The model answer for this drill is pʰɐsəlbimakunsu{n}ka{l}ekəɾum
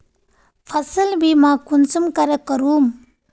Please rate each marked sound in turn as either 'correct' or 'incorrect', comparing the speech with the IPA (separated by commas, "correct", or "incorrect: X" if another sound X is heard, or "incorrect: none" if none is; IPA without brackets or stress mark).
incorrect: m, incorrect: ɾ